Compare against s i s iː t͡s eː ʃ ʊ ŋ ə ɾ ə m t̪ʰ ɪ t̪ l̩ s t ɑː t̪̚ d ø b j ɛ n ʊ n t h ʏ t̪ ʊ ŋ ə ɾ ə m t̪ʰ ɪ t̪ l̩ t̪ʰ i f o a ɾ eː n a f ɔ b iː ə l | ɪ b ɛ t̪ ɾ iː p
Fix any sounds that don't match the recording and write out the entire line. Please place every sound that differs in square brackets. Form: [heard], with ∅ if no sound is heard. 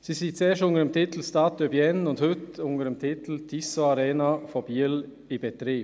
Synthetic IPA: s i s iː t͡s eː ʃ ʊ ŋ ə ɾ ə m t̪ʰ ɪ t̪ l̩ s t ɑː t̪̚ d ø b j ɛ n ʊ n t h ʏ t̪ ʊ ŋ ə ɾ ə m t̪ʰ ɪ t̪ l̩ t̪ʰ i [s] o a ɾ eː n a f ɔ b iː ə l | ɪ b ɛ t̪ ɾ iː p